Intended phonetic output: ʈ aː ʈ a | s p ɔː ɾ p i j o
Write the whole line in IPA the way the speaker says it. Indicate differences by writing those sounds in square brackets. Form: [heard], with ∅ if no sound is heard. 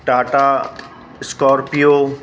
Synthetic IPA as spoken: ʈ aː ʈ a | s [k] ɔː ɾ p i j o